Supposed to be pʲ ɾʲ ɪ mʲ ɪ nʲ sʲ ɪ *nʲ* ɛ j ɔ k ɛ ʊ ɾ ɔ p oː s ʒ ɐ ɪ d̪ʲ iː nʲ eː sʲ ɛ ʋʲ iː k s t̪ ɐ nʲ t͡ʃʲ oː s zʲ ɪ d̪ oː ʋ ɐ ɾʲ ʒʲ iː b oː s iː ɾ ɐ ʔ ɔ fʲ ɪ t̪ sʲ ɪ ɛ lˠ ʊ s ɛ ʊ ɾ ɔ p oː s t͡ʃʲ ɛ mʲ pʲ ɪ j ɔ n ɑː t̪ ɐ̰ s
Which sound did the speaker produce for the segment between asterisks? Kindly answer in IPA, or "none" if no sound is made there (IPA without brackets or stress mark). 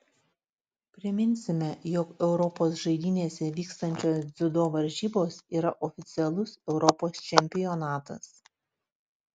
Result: mʲ